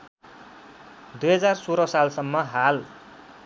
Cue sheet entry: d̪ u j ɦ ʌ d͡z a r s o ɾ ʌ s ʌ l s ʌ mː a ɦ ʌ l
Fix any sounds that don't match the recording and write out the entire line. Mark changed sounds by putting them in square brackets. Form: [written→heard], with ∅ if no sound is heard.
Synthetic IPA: d̪ u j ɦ ʌ d͡z a r s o ɾ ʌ s [ʌ→a] l s ʌ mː [a→ʌ] ɦ [ʌ→a] l